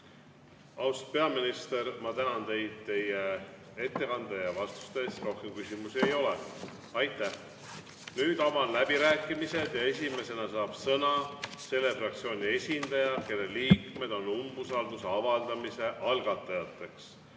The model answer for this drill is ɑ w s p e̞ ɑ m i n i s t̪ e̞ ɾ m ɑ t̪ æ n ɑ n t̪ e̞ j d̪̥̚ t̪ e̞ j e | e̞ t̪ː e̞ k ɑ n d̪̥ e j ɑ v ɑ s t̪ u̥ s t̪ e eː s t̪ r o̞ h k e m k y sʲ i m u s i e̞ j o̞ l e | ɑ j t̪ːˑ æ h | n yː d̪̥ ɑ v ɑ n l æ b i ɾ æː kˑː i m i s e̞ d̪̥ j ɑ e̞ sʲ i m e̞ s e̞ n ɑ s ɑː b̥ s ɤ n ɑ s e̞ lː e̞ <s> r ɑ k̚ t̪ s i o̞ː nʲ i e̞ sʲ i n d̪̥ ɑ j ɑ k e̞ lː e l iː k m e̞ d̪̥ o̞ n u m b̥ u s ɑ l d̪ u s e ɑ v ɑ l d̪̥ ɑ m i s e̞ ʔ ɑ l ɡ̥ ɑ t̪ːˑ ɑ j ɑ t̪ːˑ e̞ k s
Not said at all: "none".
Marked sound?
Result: f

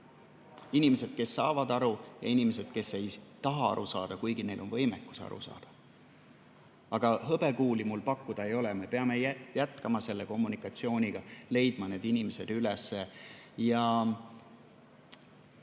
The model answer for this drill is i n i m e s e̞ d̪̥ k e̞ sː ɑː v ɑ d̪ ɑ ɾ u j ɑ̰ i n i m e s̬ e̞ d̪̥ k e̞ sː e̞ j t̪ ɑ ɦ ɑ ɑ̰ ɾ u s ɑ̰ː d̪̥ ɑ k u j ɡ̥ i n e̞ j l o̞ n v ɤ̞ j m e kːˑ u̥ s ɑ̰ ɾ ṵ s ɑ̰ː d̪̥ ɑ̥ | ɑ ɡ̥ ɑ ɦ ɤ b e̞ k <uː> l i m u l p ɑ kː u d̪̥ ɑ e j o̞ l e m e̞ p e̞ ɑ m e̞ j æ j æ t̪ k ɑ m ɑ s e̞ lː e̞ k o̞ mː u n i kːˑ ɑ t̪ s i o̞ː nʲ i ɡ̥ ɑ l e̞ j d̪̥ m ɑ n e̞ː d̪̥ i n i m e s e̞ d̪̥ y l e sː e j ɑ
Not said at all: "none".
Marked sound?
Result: uː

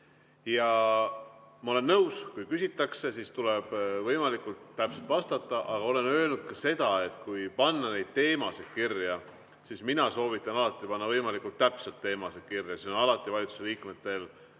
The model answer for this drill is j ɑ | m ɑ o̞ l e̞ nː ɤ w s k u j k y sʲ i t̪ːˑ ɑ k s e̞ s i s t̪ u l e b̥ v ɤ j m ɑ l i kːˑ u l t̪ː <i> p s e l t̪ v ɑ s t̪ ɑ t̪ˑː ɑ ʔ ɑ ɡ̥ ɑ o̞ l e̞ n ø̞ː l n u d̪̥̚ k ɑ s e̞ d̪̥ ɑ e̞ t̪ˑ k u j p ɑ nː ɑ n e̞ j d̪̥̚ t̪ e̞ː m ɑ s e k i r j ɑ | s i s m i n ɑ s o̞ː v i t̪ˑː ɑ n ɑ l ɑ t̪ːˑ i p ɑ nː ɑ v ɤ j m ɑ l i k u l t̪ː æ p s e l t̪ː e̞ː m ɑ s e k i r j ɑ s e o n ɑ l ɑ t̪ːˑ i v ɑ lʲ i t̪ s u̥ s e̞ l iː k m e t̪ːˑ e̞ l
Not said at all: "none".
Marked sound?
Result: æ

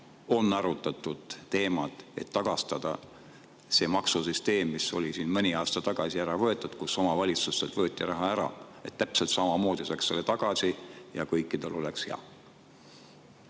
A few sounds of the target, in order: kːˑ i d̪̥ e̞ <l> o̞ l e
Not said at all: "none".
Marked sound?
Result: l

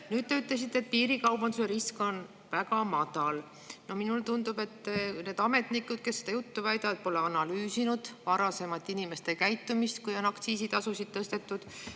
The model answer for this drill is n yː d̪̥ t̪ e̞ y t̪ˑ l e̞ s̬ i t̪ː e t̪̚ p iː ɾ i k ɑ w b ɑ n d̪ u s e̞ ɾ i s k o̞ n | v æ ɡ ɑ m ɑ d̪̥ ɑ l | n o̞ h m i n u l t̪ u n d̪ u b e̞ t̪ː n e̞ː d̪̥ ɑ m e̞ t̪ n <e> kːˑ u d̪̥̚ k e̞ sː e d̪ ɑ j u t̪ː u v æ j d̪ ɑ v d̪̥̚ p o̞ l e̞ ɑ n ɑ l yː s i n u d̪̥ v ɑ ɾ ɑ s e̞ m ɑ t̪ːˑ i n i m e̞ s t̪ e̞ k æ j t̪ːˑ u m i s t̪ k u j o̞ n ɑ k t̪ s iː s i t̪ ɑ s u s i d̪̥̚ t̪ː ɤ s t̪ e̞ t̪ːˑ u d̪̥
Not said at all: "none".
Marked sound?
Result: i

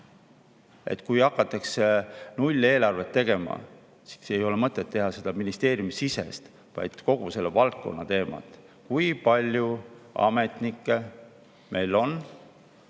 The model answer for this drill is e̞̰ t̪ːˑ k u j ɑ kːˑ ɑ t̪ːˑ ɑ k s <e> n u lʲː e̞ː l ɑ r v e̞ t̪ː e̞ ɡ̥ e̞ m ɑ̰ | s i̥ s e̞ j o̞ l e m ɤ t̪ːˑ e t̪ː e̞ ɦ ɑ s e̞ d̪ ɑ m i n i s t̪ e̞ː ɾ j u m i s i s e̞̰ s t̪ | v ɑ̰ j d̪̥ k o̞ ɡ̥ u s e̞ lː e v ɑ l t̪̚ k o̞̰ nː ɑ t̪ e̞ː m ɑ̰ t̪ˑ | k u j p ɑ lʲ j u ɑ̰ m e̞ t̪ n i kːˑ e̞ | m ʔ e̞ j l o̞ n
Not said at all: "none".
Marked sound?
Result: e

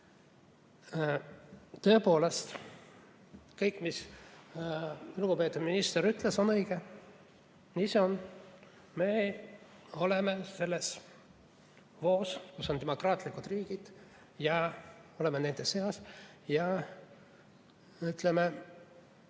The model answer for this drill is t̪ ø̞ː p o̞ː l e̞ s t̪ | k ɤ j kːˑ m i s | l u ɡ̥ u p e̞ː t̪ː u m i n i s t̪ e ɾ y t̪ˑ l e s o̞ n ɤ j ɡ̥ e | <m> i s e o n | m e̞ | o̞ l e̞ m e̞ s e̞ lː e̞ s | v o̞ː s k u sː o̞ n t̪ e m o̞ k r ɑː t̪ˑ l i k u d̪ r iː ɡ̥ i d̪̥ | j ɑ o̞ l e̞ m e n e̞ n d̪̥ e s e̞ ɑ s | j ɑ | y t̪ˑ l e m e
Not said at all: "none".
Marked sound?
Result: n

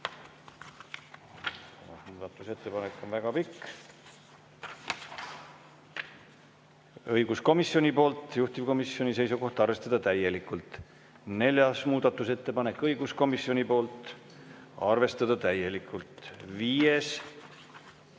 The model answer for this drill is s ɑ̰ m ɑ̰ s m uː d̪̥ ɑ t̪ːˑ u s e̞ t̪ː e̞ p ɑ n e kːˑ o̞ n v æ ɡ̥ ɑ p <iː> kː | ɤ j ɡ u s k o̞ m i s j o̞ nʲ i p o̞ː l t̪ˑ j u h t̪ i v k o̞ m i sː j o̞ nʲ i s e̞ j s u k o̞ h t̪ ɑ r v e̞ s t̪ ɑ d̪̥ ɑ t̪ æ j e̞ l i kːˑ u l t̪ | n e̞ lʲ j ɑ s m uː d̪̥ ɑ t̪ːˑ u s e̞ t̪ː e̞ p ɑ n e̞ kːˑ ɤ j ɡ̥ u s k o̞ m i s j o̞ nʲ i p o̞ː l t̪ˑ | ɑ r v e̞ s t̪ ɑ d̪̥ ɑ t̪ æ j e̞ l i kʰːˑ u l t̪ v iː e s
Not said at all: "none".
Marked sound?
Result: i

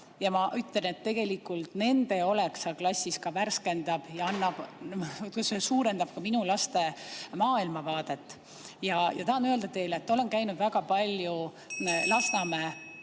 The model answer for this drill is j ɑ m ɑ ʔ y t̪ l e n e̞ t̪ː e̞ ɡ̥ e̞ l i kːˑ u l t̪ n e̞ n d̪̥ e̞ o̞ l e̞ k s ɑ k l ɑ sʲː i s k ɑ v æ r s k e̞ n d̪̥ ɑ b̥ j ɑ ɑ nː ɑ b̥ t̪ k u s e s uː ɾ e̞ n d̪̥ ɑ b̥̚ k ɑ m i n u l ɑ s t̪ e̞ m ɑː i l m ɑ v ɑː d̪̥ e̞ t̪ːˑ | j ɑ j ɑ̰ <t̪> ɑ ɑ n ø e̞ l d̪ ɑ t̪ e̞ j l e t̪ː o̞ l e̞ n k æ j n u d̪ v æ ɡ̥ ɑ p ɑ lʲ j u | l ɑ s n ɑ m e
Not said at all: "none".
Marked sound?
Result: t̪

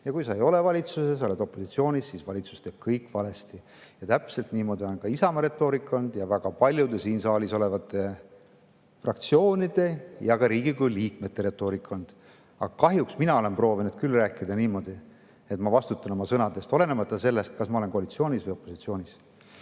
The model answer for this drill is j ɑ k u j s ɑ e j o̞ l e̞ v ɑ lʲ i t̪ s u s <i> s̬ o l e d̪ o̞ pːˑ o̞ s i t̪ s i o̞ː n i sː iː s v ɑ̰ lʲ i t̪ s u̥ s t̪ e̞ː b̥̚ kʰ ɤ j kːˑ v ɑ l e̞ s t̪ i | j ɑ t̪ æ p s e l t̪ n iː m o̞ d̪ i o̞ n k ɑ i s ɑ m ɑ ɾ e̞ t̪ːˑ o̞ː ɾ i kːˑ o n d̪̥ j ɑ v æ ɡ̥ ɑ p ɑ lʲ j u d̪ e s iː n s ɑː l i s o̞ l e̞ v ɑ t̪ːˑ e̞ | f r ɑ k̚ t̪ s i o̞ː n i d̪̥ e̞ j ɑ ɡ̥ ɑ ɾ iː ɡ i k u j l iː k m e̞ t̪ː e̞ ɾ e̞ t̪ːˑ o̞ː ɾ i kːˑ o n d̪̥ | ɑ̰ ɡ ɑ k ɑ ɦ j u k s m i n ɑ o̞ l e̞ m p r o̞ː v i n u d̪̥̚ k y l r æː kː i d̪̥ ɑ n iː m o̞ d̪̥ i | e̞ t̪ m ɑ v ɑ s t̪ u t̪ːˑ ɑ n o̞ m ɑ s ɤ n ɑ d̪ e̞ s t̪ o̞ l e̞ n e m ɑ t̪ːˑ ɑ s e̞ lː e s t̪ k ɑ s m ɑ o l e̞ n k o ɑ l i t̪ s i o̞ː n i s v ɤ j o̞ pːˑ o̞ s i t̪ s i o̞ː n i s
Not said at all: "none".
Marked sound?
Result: e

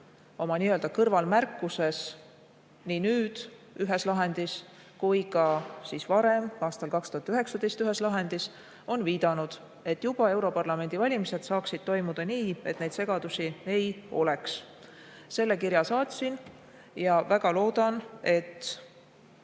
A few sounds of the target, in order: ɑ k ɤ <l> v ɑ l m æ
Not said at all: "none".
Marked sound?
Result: r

